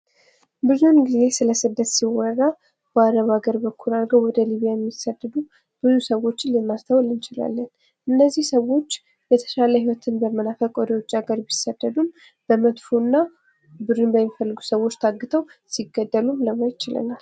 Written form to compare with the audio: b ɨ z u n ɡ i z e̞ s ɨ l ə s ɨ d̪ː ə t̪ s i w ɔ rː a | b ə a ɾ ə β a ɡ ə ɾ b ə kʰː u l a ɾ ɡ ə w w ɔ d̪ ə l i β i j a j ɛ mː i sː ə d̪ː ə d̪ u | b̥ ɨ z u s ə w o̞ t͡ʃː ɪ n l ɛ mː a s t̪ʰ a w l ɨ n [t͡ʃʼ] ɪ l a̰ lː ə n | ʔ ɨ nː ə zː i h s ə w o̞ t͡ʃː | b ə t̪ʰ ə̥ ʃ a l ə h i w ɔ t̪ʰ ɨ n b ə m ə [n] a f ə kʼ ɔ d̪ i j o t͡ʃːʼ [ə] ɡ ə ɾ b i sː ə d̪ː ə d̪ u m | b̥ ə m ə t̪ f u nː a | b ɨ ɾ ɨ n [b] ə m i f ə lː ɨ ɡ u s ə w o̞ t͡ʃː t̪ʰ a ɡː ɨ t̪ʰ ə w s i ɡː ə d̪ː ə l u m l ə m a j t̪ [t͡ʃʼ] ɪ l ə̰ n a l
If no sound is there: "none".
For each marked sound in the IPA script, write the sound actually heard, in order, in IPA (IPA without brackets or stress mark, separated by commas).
t͡ʃ, n, a, b, t͡ʃ